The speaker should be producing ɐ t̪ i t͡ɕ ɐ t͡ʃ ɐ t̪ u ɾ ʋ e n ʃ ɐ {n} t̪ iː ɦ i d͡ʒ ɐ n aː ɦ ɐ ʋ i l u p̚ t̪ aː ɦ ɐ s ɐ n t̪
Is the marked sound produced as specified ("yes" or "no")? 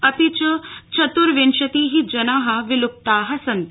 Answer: no